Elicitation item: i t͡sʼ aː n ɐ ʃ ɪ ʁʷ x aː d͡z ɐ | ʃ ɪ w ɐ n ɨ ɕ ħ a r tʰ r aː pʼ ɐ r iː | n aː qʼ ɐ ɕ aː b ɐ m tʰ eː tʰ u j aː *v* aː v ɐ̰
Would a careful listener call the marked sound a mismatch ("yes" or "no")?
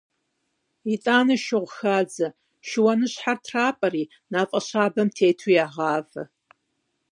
yes